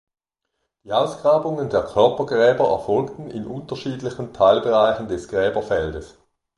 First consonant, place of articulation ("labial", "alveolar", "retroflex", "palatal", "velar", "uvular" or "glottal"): alveolar